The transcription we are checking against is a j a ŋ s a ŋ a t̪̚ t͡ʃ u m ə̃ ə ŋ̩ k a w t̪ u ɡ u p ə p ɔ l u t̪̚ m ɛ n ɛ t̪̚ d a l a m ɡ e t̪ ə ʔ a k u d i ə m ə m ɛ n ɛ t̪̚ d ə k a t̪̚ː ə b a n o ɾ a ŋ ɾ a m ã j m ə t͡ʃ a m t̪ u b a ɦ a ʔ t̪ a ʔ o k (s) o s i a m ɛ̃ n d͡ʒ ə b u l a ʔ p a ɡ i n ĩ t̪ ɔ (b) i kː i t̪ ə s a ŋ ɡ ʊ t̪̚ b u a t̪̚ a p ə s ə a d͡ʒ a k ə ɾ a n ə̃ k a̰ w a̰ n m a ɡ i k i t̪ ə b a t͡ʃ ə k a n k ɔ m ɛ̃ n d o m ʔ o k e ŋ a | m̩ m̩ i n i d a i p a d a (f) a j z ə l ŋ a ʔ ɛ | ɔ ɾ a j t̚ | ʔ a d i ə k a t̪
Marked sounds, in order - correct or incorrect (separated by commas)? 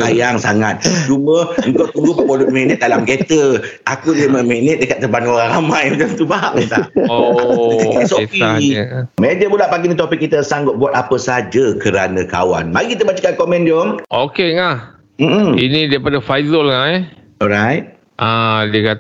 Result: correct, incorrect, correct